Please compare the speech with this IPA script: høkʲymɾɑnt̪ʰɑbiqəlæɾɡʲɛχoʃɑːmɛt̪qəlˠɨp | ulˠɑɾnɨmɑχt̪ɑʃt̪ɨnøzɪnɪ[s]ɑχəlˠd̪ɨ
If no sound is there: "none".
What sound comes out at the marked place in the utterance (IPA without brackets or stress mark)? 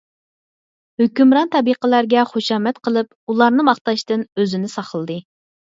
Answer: s